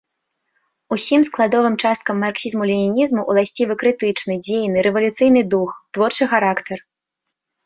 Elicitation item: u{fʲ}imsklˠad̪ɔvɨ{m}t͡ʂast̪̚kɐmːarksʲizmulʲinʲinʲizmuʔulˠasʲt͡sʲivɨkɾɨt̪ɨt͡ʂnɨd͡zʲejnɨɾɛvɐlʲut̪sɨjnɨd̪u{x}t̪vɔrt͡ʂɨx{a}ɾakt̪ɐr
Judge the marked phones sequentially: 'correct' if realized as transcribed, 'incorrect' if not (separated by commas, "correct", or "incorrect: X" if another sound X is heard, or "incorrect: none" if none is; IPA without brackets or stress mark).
incorrect: sʲ, correct, correct, correct